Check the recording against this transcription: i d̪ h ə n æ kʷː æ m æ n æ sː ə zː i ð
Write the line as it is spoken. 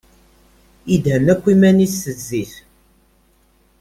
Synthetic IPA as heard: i d̪ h ə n æ kʷː i m æ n i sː ə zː i θ